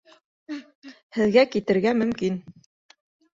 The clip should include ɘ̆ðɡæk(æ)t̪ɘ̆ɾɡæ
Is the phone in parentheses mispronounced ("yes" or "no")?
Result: yes